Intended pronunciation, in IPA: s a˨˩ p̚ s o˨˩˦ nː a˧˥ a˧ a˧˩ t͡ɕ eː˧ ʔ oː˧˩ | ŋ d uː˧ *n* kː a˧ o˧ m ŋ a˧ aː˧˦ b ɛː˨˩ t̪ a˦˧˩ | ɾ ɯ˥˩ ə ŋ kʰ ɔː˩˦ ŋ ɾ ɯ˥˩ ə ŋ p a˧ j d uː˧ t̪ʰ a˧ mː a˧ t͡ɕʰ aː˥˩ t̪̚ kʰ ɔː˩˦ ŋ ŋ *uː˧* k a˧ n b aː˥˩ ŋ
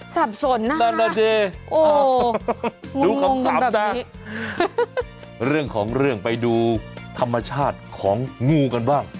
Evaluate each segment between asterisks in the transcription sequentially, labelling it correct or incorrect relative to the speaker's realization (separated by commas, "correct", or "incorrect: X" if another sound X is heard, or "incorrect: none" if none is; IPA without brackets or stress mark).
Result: incorrect: ŋ, correct